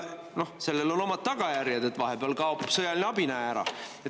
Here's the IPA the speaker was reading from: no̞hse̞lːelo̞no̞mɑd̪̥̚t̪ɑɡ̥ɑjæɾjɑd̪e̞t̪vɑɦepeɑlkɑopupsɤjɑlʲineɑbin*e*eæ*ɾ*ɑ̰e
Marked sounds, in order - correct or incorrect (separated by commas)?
incorrect, correct